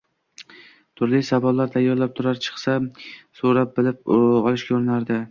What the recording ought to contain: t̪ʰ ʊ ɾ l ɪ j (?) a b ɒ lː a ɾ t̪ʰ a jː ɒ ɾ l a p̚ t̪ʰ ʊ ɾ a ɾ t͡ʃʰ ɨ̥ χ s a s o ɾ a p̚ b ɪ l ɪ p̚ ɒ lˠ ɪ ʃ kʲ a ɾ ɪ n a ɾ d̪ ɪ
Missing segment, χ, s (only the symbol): s